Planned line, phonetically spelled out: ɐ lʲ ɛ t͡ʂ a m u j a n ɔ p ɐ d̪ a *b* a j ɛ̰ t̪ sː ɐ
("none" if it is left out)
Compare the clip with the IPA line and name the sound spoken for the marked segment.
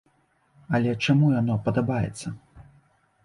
b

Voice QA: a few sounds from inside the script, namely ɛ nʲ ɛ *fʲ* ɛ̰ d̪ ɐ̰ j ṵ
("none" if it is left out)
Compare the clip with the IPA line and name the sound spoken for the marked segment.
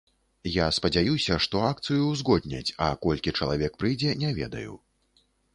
vʲ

